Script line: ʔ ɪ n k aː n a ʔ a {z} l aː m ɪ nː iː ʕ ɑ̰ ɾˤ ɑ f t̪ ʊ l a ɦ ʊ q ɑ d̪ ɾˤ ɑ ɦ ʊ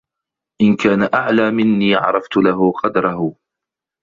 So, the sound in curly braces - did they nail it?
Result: no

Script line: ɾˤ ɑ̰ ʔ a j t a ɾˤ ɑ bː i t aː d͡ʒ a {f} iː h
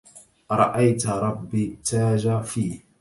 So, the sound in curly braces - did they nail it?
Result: yes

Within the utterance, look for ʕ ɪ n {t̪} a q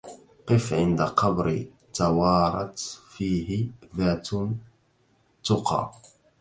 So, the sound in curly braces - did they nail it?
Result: no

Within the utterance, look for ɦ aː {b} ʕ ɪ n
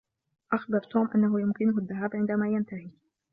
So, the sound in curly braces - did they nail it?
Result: yes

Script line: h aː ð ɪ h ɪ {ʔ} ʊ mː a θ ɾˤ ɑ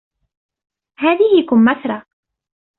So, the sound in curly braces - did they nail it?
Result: no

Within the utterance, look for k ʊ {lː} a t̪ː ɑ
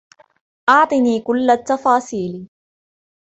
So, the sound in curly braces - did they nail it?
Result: yes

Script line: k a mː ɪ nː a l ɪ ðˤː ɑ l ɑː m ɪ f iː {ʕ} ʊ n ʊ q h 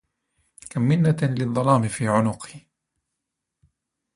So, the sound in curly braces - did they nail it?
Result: yes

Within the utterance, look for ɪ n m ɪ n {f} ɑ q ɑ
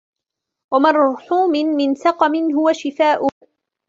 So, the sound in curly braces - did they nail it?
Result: no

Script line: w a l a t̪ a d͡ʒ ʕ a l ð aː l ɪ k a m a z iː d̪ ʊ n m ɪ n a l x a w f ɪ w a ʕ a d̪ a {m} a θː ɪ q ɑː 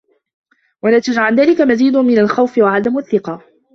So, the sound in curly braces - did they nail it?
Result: yes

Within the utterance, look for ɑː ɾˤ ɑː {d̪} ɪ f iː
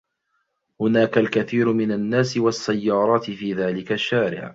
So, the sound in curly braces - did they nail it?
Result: no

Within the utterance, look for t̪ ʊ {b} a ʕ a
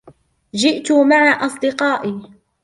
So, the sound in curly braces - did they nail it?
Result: no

